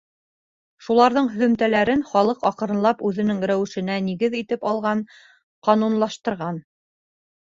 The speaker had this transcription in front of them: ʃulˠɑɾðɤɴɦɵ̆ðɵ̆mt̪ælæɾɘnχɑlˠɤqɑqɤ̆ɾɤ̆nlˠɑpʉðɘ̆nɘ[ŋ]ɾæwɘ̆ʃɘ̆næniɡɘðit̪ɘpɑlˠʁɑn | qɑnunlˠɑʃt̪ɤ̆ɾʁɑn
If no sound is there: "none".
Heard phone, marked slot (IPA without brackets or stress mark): ŋ